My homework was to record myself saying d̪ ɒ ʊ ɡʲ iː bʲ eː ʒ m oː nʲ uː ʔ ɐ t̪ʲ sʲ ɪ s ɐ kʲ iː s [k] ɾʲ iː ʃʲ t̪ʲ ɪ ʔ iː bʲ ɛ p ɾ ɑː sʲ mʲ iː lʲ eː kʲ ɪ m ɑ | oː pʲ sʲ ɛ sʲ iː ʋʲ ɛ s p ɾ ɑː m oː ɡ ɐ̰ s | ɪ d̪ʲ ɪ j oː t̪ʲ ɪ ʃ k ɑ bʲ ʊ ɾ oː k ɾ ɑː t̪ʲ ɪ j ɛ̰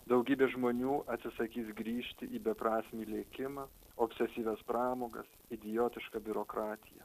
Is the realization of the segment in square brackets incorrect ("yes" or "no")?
yes